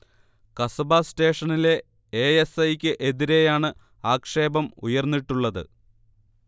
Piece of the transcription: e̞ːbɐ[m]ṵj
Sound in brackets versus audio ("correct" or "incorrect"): correct